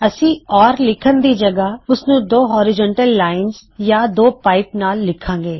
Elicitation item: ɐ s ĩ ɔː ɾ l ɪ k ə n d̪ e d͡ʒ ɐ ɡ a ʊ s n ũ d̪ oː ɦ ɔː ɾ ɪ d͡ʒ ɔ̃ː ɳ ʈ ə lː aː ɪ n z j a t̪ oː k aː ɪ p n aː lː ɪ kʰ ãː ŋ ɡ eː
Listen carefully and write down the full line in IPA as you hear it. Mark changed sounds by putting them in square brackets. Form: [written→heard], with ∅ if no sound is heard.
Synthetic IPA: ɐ s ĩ ɔː ɾ l ɪ [k→kʰ] ə n d̪ [e→i] d͡ʒ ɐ ɡ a ʊ s n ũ d̪ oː ɦ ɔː ɾ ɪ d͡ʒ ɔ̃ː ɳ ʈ ə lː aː ɪ n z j a [t̪→d̪] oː [k→p] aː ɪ p n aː lː ɪ kʰ ãː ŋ ɡ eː